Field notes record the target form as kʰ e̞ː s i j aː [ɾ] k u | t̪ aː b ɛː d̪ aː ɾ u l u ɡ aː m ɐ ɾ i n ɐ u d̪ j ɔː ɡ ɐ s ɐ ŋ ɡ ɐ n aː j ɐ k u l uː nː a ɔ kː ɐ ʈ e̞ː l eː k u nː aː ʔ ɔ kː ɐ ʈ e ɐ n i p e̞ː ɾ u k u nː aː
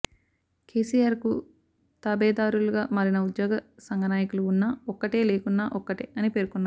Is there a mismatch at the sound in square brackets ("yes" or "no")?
no